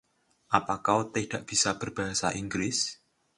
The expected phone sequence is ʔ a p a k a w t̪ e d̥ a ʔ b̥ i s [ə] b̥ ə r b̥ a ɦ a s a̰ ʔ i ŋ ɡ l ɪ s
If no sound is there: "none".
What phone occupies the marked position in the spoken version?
a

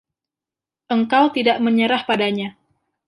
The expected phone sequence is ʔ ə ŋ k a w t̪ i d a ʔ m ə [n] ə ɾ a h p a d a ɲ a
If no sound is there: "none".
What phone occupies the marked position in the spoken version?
ɲ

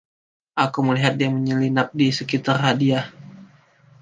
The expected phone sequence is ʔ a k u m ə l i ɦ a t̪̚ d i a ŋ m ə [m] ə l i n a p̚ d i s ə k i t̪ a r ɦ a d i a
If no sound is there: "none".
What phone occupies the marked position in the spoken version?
ɲ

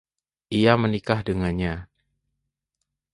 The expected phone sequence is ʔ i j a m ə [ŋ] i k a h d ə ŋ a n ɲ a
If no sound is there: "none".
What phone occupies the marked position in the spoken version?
n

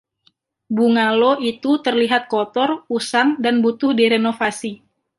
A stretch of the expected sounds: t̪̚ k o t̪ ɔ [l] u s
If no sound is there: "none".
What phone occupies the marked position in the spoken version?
r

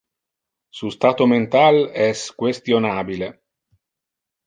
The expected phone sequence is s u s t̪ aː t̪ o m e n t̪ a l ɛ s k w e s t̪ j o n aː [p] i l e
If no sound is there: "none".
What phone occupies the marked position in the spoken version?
b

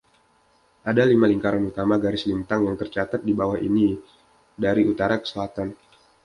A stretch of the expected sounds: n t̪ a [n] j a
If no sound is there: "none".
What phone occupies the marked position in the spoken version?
ŋ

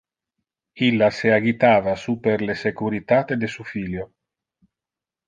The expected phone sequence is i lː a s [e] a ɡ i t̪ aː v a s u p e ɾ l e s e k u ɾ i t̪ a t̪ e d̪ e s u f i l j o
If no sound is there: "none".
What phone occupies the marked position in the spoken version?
e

